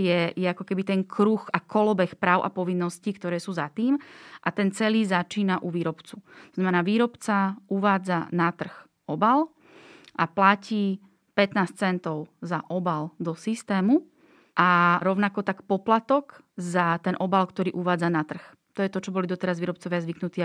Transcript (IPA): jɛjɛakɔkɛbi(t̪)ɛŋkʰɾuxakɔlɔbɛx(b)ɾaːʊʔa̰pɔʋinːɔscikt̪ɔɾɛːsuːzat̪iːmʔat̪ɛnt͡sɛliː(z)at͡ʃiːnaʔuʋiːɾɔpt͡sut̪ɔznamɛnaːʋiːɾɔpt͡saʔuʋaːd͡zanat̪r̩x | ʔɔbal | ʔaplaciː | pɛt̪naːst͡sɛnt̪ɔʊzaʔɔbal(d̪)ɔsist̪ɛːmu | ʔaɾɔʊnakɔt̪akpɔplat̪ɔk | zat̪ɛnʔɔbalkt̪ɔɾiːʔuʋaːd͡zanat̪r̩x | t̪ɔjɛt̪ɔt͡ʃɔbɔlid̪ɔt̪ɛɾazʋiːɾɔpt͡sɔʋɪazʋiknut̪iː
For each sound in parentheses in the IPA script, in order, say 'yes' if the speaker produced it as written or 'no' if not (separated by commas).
yes, no, yes, yes